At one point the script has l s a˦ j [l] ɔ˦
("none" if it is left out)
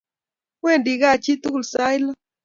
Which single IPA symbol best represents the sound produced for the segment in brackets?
l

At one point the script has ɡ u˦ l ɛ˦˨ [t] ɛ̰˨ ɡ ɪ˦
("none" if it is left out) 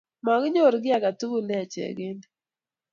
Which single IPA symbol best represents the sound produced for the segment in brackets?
t͡ʃ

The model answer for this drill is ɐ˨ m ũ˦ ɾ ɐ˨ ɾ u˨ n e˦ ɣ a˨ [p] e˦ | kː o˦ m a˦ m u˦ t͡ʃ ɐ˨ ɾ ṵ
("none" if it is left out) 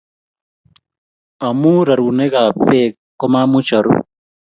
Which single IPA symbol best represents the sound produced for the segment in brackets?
p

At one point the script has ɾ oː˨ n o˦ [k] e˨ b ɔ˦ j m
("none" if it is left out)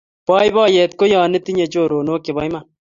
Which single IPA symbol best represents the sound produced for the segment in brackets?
k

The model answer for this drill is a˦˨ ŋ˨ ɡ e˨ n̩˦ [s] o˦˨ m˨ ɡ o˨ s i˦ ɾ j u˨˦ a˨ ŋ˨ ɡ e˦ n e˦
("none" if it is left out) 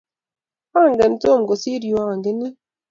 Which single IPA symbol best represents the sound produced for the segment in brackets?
t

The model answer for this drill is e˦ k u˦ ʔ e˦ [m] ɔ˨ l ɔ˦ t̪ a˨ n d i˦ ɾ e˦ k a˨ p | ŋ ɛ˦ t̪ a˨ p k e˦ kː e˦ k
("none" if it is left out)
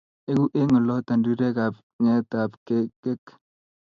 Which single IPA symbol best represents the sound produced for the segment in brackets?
ŋ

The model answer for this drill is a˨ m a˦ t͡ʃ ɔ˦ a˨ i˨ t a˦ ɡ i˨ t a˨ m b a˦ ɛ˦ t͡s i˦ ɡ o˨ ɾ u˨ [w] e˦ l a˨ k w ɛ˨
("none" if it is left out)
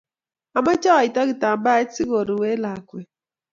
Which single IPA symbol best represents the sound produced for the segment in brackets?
w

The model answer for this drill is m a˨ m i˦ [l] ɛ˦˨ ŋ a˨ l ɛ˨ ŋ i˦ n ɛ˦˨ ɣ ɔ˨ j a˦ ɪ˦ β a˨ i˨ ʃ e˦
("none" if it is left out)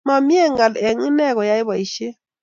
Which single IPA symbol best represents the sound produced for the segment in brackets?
none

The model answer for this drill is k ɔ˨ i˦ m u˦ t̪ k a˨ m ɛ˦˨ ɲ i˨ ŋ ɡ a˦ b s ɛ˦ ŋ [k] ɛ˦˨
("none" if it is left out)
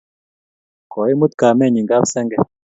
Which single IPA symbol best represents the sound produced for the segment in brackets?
ɡ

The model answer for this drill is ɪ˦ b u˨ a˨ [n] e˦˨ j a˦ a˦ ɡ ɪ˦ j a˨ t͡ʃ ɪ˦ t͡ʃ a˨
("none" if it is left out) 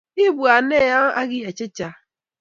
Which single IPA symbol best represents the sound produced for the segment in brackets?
n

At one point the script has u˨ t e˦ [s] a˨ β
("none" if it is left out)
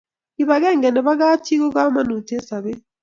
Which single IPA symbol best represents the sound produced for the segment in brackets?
s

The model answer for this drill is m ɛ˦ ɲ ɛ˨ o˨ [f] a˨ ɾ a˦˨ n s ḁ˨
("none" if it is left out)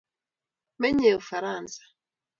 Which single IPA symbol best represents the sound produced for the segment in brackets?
f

